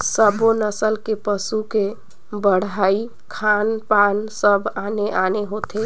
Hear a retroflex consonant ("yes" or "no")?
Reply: yes